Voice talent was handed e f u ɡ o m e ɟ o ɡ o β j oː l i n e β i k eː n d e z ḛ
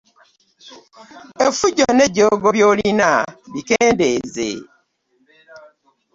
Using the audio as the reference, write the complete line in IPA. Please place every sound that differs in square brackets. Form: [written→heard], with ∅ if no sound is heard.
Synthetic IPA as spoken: e f u [ɡ→ɟ] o [m→n] e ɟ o ɡ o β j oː l i n [e→a] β i k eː n d e z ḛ